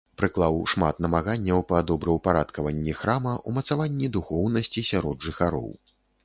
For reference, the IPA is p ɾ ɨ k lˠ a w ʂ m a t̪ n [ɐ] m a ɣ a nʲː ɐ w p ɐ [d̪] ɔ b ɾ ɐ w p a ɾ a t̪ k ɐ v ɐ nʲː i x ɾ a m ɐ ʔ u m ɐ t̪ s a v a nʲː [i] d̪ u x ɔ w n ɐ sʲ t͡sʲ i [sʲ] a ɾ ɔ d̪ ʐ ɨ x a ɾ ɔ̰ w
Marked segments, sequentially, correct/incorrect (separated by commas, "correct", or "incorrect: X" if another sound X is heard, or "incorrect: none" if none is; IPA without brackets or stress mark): correct, correct, correct, correct